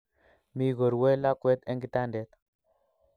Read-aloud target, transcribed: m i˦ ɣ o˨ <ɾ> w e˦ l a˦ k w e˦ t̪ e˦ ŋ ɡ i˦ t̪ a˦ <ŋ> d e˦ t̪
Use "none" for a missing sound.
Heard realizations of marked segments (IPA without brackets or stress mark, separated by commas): ɾ, n